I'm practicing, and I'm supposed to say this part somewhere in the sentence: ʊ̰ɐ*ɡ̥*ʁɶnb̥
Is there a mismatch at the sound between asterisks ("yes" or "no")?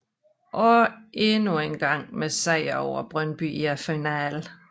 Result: yes